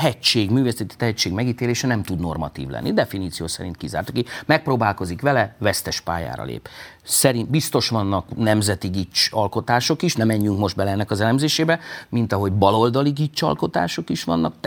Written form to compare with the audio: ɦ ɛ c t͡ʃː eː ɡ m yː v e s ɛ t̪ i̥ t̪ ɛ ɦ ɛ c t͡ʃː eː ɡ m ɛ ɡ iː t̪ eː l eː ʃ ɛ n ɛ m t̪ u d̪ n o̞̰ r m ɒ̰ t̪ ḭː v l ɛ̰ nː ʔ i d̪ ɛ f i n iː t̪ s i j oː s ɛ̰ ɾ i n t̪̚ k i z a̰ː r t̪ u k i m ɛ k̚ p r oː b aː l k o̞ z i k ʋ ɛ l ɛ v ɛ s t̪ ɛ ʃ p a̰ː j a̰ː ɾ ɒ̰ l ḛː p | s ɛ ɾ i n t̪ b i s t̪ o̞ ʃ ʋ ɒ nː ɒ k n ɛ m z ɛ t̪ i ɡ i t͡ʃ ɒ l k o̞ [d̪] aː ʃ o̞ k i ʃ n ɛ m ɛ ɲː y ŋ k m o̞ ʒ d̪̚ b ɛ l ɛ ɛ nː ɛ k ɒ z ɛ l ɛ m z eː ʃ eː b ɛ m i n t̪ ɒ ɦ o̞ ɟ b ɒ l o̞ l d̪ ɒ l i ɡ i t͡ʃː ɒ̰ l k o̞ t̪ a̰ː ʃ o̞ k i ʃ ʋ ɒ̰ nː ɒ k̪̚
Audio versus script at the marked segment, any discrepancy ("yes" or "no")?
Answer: yes